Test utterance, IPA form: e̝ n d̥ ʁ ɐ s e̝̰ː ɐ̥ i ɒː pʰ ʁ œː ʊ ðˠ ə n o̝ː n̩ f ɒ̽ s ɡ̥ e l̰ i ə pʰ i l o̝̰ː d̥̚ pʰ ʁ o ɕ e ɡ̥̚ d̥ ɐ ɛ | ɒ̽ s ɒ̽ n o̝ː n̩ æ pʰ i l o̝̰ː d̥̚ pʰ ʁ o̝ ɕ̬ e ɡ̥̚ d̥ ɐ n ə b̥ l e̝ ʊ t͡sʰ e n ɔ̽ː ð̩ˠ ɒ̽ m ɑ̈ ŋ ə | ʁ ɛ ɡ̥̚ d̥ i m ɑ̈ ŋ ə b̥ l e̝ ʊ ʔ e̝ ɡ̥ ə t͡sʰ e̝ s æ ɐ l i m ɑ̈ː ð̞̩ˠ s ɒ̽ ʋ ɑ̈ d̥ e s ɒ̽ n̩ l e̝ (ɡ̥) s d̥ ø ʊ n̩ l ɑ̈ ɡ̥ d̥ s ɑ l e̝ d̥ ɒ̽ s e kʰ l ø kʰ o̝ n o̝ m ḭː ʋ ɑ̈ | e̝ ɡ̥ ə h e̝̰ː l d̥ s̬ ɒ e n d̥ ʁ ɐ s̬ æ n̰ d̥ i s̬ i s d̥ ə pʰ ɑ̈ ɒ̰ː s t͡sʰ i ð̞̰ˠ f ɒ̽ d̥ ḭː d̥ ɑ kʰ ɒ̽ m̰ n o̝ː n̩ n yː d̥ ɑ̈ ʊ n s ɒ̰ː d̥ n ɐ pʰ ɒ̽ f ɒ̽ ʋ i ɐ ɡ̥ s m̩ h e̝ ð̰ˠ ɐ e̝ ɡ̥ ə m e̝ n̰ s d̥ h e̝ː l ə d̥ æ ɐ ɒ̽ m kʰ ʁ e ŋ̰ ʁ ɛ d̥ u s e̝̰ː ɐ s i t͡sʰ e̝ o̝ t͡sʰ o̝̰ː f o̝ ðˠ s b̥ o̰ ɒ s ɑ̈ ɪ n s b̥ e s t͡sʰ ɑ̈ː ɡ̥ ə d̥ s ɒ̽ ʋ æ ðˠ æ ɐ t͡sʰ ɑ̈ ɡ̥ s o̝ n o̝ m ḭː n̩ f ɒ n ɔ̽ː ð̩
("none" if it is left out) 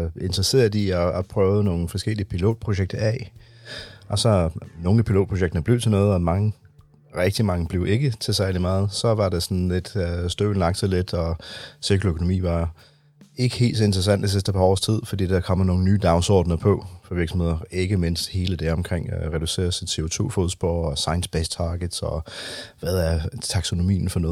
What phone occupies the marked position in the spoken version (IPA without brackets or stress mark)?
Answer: d̥